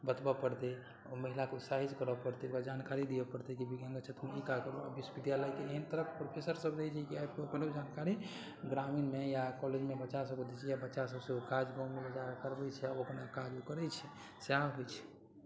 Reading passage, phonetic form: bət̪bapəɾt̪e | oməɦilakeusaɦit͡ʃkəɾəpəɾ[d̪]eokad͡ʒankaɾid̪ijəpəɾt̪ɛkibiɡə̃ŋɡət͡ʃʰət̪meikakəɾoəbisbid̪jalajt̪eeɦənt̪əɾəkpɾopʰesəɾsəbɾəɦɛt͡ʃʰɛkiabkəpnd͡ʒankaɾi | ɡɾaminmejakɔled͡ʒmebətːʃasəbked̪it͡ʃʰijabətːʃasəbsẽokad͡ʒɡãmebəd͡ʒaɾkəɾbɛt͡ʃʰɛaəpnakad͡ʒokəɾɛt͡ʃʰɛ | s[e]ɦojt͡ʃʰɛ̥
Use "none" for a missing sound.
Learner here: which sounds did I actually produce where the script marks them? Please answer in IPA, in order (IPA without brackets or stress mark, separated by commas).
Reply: t̪, a